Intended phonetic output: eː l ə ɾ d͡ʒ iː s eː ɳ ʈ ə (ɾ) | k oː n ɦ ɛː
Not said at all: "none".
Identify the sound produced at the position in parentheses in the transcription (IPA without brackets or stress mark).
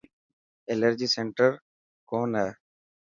ɾ